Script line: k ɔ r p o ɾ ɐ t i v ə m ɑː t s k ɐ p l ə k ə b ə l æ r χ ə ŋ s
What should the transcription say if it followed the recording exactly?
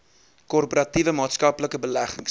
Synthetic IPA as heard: k ɔ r p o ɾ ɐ t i v ə m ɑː t s k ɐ p l ə k ə b ə l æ χ ə ŋ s